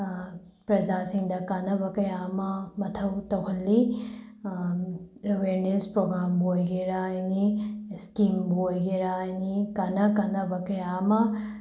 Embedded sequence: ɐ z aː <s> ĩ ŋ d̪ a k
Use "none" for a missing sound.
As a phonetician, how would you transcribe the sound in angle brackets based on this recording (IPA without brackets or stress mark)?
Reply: s